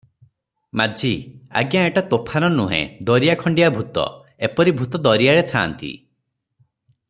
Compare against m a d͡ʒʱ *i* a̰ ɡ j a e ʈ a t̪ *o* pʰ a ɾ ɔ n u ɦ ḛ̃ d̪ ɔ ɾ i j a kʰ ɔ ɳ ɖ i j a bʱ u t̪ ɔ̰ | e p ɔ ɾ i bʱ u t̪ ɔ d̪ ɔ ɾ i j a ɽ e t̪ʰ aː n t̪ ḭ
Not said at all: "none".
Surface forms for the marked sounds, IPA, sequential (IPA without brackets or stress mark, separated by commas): i, o